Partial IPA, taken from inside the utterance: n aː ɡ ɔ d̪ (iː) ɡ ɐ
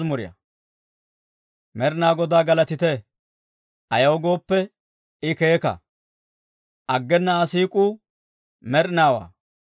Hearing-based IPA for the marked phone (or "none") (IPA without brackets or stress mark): aː